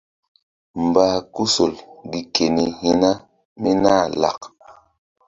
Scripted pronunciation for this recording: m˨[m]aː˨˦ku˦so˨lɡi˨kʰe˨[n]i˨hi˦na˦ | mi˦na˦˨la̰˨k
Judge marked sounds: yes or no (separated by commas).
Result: no, yes